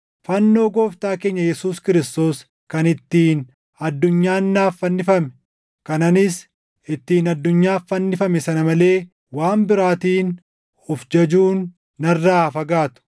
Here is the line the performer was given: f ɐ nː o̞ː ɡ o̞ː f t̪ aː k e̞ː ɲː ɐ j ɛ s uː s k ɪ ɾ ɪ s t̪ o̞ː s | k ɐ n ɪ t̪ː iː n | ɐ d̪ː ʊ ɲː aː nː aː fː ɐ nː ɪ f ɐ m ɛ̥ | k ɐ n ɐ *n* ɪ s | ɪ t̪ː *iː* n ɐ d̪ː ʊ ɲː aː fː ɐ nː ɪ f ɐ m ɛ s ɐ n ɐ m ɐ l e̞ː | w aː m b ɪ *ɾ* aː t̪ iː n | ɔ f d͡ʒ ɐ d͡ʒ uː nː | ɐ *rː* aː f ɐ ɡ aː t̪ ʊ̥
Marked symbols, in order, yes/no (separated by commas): yes, yes, yes, yes